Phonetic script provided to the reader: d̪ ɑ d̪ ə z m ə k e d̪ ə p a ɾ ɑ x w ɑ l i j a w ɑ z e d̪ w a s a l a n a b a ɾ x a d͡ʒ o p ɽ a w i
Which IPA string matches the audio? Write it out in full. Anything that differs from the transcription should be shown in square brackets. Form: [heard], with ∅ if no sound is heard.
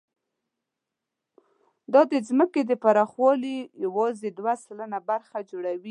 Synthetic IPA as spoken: d̪ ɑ d̪ ə z m ə k e d̪ ə p a ɾ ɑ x w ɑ l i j a w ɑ z e d̪ w a s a l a n a b a ɾ x a d͡ʒ o [∅] ɽ a w i